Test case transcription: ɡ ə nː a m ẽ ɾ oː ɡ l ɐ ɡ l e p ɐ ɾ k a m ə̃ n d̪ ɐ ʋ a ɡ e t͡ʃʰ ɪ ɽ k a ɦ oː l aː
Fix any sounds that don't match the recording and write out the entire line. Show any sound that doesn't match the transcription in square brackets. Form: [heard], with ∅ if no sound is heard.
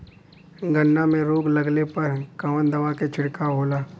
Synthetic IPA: ɡ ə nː a m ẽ ɾ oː ɡ l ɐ ɡ l e p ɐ ɾ k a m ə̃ n d̪ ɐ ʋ a [k] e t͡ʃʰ ɪ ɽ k a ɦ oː l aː